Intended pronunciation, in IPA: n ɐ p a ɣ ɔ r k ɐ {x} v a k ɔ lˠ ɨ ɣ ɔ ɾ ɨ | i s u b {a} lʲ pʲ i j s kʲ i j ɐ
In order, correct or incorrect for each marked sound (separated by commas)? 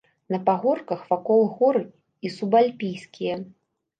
correct, correct